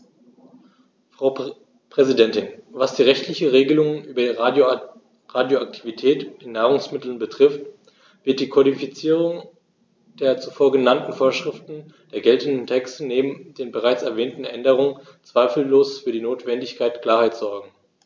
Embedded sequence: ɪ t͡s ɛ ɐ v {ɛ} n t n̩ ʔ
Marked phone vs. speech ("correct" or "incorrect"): incorrect